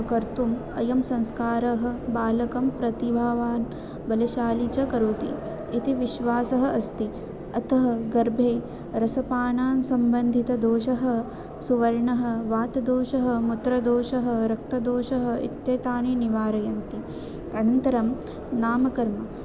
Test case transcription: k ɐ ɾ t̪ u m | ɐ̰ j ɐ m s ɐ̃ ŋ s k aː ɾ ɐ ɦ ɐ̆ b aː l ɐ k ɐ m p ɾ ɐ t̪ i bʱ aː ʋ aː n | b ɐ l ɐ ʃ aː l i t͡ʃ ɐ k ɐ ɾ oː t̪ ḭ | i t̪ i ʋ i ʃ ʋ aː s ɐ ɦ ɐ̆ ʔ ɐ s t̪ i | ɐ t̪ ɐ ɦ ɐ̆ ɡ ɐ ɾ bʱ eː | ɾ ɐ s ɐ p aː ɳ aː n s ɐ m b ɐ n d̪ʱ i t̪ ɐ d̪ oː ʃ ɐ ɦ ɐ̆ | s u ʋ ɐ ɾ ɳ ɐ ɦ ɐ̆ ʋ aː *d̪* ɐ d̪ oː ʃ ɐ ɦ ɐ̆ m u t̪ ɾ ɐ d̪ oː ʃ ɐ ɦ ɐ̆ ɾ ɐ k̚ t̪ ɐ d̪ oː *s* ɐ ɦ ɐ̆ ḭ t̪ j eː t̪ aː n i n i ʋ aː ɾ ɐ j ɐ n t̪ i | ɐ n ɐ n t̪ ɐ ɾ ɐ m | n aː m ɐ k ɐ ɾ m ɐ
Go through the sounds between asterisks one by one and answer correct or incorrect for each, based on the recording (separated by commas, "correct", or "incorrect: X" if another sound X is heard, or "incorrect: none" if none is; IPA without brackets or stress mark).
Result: incorrect: t̪, incorrect: ʃ